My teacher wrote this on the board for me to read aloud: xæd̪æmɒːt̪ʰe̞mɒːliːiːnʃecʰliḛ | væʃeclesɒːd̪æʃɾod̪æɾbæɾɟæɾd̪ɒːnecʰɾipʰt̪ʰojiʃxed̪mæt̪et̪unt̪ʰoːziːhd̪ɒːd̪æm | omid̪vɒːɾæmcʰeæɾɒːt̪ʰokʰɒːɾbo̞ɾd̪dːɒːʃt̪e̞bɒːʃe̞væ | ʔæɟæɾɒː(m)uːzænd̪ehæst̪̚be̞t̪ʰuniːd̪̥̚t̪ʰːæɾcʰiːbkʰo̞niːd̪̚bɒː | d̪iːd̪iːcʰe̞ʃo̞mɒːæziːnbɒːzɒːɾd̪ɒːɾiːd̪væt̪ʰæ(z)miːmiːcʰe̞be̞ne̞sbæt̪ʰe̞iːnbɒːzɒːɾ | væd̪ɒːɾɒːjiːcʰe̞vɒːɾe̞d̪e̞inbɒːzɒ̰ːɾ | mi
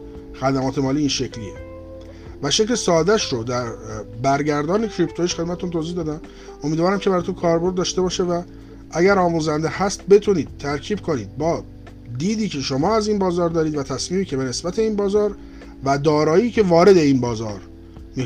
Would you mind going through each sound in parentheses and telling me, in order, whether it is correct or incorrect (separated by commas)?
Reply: correct, incorrect